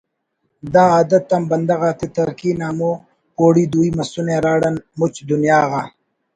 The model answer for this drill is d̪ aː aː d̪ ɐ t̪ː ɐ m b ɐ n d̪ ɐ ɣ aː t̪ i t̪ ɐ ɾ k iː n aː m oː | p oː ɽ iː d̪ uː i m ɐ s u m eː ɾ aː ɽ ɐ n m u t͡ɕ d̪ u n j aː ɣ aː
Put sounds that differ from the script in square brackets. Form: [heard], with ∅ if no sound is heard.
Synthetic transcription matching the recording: d̪ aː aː d̪ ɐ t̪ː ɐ m b ɐ n d̪ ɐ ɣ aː t̪ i t̪ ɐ ɾ k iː n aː m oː | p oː ɽ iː d̪ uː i m ɐ s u [n] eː ɾ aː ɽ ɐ n m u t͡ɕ d̪ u n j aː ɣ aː